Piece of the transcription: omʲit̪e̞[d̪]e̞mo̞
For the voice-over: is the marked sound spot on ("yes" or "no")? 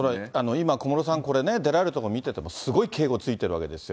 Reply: no